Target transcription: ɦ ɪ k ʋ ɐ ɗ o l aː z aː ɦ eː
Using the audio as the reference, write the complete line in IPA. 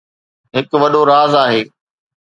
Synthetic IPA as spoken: ɦ ɪ k ʋ ɐ ɗ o ɾ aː z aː ɦ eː